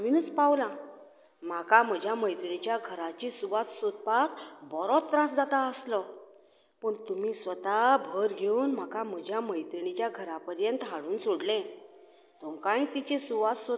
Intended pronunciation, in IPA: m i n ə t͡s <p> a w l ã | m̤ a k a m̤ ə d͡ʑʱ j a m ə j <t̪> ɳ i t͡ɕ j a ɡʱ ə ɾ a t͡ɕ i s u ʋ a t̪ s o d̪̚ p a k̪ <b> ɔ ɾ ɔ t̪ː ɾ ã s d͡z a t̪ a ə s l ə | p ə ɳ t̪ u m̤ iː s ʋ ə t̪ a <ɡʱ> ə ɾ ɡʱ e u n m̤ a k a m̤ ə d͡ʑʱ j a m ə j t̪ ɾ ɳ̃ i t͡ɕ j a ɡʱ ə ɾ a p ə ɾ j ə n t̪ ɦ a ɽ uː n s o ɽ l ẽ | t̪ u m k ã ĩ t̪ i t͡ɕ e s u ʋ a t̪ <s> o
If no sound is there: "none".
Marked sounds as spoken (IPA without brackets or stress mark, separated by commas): p, t̪, b, bʱ, s